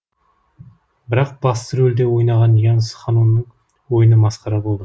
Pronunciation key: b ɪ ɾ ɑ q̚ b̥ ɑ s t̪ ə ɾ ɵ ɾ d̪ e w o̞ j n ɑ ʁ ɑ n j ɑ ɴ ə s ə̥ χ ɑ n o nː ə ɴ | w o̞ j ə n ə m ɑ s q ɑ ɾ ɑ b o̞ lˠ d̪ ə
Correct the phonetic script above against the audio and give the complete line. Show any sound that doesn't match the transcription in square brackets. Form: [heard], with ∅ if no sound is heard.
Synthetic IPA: b ɪ ɾ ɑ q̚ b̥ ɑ s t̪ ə ɾ ɵ [l] d̪ e w o̞ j n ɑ ʁ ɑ n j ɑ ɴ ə s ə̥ χ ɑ n [u] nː ə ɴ | w o̞ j ə n ə m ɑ s q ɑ ɾ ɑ b o̞ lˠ d̪ ə